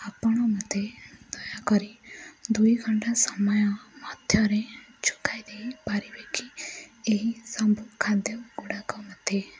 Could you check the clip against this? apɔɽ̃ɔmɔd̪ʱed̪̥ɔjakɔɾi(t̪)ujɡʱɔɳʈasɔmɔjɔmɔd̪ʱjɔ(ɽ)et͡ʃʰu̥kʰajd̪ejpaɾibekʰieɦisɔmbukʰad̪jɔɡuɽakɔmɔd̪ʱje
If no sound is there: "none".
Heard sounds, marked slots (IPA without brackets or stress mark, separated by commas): d̪, ɾ